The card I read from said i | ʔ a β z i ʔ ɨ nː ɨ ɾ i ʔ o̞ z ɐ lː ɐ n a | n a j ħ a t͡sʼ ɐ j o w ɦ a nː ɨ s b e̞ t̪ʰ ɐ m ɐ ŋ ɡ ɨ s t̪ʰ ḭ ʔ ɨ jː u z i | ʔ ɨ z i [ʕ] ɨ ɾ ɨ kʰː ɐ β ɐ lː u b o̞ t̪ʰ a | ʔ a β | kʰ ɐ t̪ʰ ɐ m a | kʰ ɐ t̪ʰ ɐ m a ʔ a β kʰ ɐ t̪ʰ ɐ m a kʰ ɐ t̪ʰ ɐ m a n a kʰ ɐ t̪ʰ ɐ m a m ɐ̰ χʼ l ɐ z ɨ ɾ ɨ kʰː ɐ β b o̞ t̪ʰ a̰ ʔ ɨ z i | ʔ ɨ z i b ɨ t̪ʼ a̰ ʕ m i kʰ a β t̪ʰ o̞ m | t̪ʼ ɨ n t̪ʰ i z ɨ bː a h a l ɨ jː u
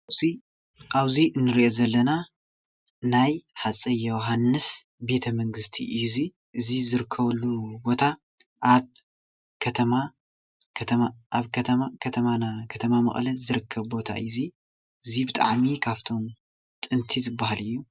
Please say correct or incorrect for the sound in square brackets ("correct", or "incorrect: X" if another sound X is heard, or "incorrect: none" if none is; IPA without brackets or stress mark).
incorrect: z